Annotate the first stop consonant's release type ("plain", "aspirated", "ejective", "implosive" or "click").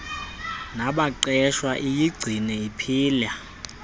implosive